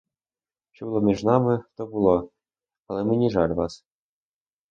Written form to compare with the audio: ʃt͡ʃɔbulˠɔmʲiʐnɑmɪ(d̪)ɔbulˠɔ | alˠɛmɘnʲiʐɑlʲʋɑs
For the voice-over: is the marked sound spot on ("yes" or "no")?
no